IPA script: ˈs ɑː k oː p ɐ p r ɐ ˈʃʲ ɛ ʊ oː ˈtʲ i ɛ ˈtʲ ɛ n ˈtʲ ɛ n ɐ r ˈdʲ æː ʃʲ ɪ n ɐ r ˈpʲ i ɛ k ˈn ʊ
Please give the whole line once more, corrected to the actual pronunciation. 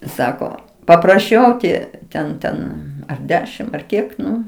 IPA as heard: ˈs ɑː k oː p ɐ p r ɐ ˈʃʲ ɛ ʊ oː ˈtʲ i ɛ ˈtʲ ɛ n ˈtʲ ɛ n ɐ r ˈdʲ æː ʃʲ ɪ m ɐ r ˈkʲ i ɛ k ˈn ʊ